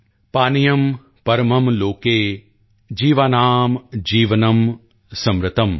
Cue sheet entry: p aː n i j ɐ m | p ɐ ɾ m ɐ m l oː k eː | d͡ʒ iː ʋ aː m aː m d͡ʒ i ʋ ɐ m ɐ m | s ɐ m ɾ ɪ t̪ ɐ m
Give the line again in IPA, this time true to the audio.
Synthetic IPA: p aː n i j ɐ m | p ɐ ɾ m ɐ m l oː k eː | d͡ʒ iː ʋ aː n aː m d͡ʒ iː ʋ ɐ n ɐ m | s ɐ m ɾ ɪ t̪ ɐ m